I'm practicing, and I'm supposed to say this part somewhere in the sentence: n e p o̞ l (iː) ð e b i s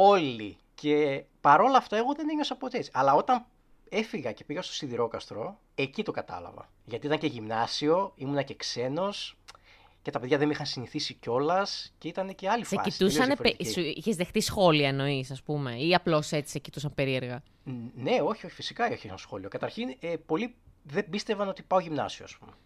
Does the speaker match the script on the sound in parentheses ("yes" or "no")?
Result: no